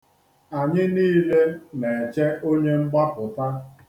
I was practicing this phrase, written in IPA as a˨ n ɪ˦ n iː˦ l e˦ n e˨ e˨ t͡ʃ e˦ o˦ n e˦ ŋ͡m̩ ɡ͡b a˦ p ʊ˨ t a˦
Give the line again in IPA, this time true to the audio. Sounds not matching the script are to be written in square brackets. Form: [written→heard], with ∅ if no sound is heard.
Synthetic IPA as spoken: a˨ [n→ɲ] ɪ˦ n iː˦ l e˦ n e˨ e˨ t͡ʃ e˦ o˦ [n→ɲ] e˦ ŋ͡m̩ ɡ͡b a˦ p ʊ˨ t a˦